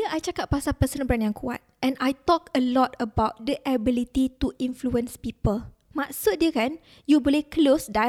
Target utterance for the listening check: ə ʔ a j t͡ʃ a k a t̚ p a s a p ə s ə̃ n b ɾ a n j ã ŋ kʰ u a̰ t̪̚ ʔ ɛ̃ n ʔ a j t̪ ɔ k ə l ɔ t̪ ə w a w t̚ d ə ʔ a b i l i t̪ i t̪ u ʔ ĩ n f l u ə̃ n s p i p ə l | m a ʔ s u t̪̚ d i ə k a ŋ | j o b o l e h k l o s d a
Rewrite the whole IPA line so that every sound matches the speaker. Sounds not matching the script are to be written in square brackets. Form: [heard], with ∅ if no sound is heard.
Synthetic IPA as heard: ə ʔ a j t͡ʃ a k a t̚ p a s a p ə s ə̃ n b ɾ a n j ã ŋ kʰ u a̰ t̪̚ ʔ ɛ̃ n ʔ a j t̪ ɔ k ə l ɔ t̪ ə [b] a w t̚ d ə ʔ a b i l i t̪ i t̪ u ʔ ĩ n f l u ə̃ n s p i p ə l | m a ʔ s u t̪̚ d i ə k a [n] | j [u] b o l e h k l o s d a